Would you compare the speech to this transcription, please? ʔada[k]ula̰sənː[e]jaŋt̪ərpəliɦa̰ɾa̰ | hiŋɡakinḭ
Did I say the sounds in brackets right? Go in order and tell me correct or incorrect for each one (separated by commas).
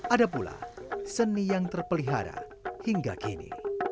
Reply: incorrect, incorrect